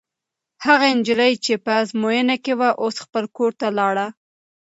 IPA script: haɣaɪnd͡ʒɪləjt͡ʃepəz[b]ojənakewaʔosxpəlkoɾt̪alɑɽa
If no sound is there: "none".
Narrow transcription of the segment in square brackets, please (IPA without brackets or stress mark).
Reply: m